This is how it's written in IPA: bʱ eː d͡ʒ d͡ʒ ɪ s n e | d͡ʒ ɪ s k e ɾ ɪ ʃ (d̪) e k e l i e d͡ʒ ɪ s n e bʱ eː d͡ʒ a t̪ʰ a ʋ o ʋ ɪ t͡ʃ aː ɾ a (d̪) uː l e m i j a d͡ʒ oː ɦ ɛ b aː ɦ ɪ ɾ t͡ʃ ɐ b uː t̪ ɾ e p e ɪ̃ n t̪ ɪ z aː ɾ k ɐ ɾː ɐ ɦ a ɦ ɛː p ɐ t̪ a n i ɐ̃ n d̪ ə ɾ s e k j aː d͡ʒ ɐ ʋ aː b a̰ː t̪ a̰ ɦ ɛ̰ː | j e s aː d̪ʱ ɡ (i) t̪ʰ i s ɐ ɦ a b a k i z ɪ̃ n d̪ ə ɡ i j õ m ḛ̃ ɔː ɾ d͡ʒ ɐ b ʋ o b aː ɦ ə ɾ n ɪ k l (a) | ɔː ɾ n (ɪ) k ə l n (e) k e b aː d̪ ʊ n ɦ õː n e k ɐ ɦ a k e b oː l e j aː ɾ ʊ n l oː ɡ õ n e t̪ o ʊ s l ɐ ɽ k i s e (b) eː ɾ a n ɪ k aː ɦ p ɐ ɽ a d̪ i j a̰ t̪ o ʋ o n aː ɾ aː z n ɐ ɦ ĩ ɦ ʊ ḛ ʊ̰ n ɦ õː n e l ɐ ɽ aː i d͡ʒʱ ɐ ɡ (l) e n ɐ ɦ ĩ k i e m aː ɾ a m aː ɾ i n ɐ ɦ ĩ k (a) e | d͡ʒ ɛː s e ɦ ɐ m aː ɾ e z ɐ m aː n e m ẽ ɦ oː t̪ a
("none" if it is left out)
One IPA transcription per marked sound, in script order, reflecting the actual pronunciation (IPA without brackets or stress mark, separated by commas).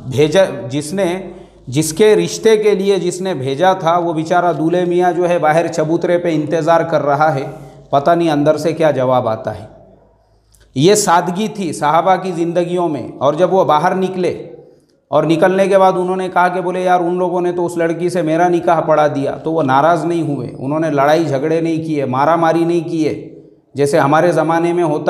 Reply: t̪, d̪, i, e, ɪ, e, m, ɽ, i